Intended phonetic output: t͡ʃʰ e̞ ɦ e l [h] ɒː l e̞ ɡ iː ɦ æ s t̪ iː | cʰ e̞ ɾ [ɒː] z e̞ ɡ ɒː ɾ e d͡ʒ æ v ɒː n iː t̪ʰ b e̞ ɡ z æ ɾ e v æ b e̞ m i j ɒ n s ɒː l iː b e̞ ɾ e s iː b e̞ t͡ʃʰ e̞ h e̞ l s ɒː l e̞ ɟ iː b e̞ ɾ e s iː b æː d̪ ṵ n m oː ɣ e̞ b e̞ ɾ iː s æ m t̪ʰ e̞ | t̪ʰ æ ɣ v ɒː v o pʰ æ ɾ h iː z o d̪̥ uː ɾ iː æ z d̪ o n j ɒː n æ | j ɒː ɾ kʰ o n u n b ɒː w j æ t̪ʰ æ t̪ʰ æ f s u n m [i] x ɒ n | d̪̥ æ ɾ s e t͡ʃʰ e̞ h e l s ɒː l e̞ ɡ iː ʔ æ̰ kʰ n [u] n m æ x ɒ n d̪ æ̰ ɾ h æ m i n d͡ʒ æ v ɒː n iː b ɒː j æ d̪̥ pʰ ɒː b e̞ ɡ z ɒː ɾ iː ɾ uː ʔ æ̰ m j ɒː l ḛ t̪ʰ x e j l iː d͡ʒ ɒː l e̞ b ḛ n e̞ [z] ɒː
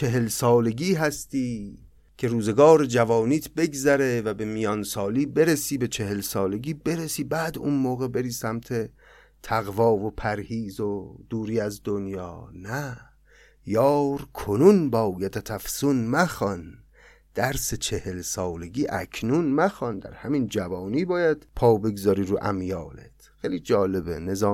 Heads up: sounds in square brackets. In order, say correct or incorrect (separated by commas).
incorrect, incorrect, incorrect, correct, correct